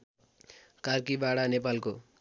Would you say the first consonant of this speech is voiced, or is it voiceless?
voiceless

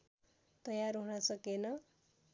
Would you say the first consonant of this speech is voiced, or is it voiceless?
voiceless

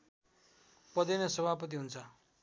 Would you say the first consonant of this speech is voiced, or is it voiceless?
voiceless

